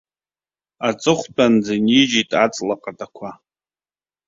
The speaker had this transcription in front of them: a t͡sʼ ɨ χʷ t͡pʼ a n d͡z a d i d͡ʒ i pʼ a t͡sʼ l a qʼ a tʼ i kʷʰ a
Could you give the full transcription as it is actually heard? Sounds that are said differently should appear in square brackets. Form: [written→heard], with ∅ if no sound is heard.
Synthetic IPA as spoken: a t͡sʼ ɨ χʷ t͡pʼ a n d͡z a [d→n] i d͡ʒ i [pʼ→tʼ] a t͡sʼ l a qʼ a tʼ [i→a] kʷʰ a